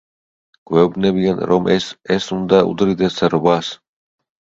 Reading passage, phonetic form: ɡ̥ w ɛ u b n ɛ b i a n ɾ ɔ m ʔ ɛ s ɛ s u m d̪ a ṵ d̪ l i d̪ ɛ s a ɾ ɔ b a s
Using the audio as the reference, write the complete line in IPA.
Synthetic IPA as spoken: ɡ̥ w ɛ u b n ɛ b i a n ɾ ɔ m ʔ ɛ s ɛ s u n d̪ a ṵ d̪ ɾ i d̪ ɛ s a ɾ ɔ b a s